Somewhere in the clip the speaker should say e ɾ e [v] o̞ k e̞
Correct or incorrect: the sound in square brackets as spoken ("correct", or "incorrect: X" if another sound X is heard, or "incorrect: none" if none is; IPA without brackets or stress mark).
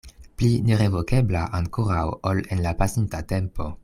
correct